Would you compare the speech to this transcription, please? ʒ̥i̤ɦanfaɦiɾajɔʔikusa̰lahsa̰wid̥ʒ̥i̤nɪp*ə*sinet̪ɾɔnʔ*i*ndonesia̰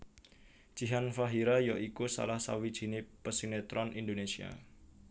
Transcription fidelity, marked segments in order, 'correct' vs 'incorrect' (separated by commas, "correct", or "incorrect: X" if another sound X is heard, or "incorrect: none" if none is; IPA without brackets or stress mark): correct, correct